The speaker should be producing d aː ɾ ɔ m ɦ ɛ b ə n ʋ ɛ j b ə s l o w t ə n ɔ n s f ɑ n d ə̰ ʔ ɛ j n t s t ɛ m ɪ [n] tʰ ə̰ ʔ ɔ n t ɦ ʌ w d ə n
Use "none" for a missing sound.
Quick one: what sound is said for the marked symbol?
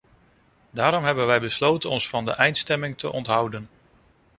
ŋ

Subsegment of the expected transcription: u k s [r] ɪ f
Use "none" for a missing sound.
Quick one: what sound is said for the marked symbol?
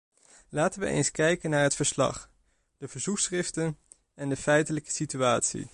r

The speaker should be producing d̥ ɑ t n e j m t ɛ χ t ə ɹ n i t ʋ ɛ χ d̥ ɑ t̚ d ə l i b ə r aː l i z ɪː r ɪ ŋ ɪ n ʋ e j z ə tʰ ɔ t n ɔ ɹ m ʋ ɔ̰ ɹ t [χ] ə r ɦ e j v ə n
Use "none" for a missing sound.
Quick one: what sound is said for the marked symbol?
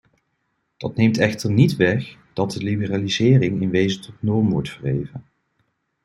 f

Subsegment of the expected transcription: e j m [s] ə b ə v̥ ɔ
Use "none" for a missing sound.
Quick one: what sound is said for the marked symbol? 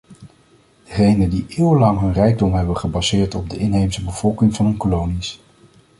s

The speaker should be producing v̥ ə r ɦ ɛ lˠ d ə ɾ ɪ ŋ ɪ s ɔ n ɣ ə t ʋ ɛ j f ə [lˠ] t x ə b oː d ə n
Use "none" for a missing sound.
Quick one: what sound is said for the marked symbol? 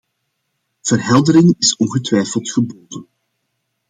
lˠ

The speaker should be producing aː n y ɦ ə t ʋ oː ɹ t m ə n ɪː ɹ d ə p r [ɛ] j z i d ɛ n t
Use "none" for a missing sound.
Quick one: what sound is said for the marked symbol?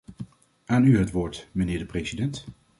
e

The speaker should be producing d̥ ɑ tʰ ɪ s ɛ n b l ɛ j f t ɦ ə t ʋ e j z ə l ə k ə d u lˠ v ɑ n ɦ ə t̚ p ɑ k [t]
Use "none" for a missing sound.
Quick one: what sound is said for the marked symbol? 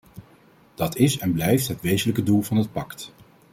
t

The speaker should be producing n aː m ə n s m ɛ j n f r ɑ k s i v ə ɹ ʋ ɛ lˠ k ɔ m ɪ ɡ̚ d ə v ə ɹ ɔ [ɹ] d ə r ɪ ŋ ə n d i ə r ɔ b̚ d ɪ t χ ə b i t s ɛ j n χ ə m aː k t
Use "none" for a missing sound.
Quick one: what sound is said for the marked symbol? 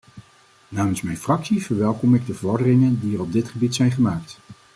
ɹ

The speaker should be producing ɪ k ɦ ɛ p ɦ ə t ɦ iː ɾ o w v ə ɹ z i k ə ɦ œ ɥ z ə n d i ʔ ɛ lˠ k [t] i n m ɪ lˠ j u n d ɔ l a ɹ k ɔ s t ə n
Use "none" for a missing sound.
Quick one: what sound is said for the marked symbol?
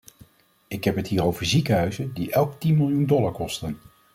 t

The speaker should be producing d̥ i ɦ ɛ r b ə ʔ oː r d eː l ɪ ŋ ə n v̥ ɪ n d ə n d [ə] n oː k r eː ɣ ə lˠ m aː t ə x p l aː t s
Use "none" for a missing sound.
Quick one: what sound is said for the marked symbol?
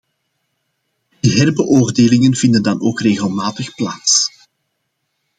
ɑ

